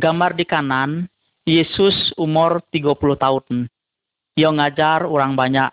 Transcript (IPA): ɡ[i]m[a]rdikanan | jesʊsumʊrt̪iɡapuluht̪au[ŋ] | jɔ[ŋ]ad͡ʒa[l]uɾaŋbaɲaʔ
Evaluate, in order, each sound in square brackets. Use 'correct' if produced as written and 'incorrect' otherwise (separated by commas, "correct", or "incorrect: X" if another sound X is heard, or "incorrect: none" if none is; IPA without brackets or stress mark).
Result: incorrect: a, correct, incorrect: n, correct, incorrect: r